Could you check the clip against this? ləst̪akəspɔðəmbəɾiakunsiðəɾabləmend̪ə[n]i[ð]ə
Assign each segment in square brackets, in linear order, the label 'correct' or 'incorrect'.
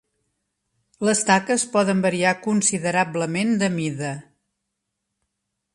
incorrect: m, correct

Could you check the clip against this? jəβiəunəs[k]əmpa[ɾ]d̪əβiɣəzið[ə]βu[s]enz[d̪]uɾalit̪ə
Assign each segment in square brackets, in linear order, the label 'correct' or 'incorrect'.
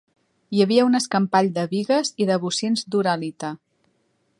correct, incorrect: ʎ, correct, correct, correct

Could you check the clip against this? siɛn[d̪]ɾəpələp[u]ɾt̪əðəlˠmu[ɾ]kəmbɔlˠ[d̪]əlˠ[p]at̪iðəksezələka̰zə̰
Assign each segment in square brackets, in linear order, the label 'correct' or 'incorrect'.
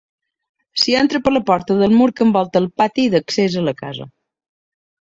incorrect: t̪, incorrect: ɔ, correct, incorrect: t̪, correct

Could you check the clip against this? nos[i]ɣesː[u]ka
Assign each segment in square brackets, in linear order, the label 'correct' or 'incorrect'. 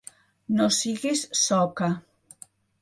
correct, incorrect: ɔ

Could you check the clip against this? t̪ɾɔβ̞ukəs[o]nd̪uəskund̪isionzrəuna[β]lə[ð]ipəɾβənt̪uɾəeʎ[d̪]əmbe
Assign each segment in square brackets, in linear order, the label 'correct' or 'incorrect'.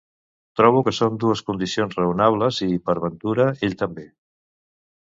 correct, correct, incorrect: z, incorrect: t̪

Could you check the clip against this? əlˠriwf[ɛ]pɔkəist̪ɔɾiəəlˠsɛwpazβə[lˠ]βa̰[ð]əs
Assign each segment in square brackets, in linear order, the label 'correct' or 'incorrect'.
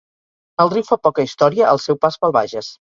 incorrect: a, correct, incorrect: ʒ

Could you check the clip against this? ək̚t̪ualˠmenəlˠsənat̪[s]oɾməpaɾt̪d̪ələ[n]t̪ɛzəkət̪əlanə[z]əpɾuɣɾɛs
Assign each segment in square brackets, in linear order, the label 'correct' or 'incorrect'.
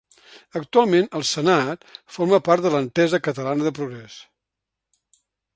incorrect: f, correct, incorrect: ð

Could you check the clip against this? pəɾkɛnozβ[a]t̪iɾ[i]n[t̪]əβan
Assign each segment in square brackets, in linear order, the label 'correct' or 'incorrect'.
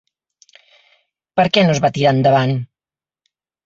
correct, incorrect: a, incorrect: d̪

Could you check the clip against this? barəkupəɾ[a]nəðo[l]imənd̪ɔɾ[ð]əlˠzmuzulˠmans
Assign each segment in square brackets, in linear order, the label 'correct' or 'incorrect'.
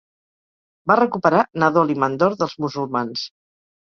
correct, correct, correct

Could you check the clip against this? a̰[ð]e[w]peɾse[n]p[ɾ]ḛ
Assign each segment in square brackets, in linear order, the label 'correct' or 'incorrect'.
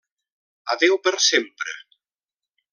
correct, correct, incorrect: m, correct

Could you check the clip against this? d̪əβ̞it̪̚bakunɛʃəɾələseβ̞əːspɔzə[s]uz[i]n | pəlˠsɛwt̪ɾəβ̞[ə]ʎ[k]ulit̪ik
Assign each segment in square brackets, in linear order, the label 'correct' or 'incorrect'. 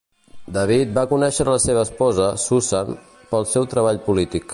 correct, incorrect: a, incorrect: a, incorrect: p

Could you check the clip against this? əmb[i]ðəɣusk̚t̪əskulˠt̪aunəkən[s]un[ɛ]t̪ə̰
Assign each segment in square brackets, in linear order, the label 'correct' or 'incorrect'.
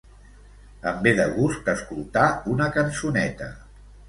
incorrect: e, correct, correct

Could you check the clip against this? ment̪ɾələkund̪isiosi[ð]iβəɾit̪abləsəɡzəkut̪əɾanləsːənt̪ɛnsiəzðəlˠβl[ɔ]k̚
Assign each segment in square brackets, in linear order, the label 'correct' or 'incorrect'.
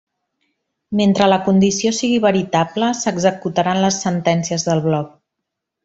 incorrect: ɣ, correct

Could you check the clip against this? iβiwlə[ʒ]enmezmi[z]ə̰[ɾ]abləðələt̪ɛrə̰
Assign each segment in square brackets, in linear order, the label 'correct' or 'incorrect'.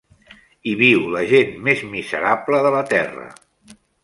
correct, correct, correct

